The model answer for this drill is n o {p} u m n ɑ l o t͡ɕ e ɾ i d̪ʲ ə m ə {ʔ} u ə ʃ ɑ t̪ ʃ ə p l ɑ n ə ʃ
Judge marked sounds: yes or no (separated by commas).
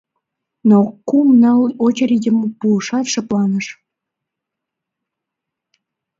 no, no